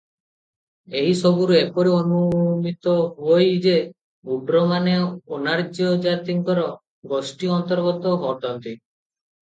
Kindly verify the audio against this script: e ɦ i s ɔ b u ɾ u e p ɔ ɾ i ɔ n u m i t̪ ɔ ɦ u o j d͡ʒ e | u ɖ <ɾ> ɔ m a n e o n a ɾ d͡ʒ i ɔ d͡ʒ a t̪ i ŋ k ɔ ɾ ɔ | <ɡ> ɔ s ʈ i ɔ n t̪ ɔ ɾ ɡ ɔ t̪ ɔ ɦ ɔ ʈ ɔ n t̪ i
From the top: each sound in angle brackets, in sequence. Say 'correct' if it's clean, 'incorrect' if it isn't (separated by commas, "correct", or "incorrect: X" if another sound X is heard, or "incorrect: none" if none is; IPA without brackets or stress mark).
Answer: correct, correct